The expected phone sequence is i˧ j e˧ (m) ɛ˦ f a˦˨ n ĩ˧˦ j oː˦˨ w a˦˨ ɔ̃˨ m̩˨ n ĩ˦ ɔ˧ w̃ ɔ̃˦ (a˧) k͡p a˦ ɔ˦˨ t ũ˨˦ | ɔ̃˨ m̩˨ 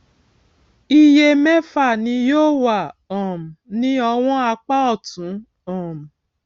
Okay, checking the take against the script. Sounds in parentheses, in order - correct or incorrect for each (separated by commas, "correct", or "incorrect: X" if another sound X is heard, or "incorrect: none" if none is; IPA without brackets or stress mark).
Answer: correct, correct